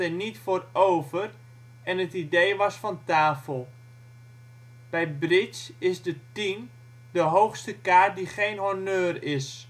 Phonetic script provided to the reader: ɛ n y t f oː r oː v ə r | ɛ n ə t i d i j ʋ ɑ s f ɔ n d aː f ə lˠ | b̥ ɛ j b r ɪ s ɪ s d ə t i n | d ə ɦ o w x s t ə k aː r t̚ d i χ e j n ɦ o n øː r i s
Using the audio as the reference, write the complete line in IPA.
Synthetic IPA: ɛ n i t f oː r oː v ə r | ɛ n ə t i d e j ʋ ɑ s f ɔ n t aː f ə lˠ | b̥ ɛ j b r ɪ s ɪ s d ə t i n | d ə ɦ o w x s t ə k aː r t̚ d i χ e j n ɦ o n øː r ɪ s